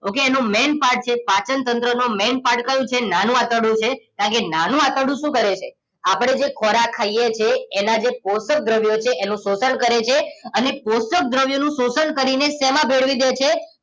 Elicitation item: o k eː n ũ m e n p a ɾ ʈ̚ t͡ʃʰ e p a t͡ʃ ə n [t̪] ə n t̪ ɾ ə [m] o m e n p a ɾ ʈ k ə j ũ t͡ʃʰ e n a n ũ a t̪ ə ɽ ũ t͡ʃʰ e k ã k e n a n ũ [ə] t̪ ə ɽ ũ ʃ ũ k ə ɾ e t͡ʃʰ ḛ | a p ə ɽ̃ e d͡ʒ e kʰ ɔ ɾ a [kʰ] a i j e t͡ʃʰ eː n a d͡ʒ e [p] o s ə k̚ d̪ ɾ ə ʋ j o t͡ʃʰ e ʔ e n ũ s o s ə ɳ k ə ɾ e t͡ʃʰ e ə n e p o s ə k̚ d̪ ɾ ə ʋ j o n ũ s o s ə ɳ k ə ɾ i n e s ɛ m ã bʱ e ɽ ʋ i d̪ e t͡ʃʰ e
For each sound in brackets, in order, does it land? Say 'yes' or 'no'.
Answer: yes, no, no, yes, yes

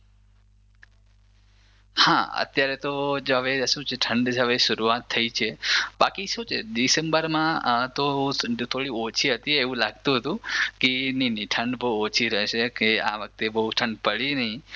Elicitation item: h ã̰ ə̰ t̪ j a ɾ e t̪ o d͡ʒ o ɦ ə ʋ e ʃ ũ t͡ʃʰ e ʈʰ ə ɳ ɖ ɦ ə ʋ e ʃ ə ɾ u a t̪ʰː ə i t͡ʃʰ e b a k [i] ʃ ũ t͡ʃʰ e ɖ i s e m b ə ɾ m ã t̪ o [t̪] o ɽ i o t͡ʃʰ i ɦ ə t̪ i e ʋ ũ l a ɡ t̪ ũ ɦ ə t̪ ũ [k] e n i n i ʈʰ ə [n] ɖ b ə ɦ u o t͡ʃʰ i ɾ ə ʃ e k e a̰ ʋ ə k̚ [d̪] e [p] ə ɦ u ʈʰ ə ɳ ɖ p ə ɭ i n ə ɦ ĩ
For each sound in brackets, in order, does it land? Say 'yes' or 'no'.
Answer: yes, no, yes, no, no, no

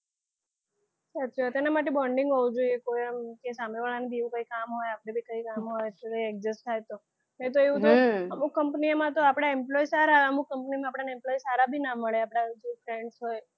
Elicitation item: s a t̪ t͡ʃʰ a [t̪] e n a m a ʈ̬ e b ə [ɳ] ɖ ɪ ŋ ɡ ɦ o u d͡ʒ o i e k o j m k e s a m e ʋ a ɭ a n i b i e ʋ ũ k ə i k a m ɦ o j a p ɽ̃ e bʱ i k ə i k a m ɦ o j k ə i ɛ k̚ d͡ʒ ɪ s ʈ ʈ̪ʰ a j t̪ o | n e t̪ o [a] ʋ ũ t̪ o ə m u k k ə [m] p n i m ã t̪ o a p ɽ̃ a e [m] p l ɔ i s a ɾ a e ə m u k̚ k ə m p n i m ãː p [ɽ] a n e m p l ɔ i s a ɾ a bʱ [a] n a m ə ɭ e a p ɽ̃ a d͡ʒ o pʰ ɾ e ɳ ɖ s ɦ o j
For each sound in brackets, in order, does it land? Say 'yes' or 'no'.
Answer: yes, yes, no, yes, yes, yes, no

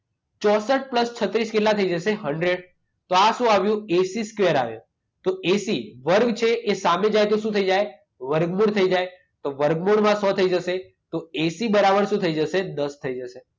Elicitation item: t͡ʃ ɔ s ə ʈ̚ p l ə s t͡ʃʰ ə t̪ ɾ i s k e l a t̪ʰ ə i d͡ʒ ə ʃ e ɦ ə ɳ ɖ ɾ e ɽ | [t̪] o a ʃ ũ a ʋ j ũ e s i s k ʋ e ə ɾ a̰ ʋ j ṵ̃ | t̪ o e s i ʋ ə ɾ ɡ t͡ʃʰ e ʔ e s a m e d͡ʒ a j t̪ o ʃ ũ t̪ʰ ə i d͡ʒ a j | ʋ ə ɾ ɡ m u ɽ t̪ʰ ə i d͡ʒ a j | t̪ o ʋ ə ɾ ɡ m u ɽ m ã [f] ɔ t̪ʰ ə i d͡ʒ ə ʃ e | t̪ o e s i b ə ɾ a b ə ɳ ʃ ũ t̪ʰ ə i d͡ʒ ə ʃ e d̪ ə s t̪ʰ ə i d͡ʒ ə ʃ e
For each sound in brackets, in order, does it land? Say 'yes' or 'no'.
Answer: yes, no

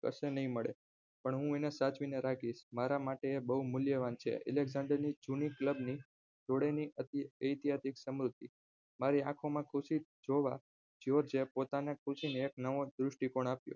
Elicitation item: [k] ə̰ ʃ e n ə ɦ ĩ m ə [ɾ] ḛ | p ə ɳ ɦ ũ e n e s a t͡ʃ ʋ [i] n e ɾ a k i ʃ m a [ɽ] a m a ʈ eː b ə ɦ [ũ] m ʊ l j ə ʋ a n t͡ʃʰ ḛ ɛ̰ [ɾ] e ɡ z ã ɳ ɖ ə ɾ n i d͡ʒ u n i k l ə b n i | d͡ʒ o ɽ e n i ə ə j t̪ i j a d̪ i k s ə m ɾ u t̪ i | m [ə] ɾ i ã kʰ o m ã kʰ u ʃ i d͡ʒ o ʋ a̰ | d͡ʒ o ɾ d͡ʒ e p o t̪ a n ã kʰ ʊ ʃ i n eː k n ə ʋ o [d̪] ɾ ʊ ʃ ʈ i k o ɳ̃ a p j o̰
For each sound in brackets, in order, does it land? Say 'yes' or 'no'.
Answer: yes, no, yes, no, no, no, no, yes

